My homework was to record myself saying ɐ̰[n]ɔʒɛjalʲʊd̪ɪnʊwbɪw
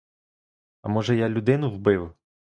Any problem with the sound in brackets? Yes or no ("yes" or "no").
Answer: yes